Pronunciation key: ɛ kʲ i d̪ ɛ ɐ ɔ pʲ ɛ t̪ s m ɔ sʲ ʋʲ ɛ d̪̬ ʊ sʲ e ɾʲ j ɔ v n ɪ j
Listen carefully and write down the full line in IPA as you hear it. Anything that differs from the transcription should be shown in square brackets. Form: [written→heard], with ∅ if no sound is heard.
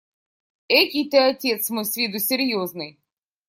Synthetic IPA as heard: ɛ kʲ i [d̪→t̪] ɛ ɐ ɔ [pʲ→tʲ] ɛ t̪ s m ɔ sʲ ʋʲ [ɛ→i] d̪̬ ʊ sʲ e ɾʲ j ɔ [v→z] n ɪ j